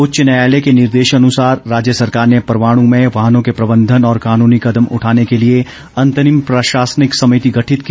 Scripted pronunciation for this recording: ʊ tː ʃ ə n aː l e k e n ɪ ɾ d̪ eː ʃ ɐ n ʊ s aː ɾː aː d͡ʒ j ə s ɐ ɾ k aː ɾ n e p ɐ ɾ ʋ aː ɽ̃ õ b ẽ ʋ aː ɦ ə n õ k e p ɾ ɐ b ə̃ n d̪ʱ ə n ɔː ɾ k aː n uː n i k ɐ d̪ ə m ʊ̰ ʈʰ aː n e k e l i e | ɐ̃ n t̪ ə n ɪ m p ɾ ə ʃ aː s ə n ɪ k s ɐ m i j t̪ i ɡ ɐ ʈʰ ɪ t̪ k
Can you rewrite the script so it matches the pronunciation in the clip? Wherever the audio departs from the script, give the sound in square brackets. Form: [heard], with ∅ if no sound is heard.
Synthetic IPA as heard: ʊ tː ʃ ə n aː l e k e n ɪ ɾ d̪ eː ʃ ɐ n ʊ s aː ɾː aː d͡ʒ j ə s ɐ ɾ k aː ɾ n e p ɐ ɾ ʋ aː ɽ̃ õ [m] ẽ ʋ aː ɦ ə n õ k e p ɾ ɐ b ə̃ n d̪ʱ ə n ɔː ɾ k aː n uː n i k ɐ d̪ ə m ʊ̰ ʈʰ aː n e k e l i e | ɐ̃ n t̪ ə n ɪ m p ɾ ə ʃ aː s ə n ɪ k s ɐ m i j t̪ i ɡ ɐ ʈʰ ɪ t̪ k

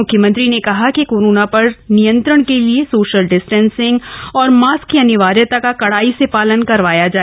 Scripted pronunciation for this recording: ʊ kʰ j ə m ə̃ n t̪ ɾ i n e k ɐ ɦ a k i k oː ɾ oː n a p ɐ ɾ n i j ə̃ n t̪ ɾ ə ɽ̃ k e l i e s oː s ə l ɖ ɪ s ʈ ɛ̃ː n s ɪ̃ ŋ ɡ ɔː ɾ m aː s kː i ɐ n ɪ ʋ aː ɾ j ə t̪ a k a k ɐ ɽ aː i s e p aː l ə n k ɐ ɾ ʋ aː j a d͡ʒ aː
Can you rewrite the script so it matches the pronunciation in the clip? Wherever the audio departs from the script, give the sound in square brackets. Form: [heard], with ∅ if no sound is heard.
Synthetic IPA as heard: ʊ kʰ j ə m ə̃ n t̪ ɾ i n e k ɐ ɦ a k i k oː ɾ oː n a p ɐ ɾ n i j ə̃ n t̪ ɾ ə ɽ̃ k e l i e s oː [ʃ] ə l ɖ ɪ s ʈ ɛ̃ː n s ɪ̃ ŋ ɡ ɔː ɾ m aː s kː i ɐ n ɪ ʋ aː ɾ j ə t̪ a k a k ɐ ɽ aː i s e p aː l ə n k ɐ ɾ ʋ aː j a d͡ʒ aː

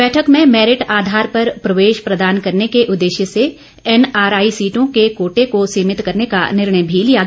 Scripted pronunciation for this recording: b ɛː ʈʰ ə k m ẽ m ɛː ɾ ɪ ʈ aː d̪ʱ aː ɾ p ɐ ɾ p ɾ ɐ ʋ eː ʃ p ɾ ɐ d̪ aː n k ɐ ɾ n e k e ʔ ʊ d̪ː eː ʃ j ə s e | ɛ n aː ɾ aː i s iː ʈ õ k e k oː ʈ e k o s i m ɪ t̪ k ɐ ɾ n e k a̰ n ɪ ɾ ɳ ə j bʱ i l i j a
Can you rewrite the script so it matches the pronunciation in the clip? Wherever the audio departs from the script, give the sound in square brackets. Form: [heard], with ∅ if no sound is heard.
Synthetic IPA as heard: b ɛː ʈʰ ə k m ẽ m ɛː ɾ ɪ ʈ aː d̪ʱ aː ɾ p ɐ ɾ p ɾ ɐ ʋ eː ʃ p ɾ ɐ d̪ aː n k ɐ ɾ n e k e ʔ ʊ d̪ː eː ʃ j ə s e | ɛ n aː ɾ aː i s iː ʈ õ k e k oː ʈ e k o s [iː] m ɪ t̪ k ɐ ɾ n e k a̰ n ɪ ɾ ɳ ə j bʱ i l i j a

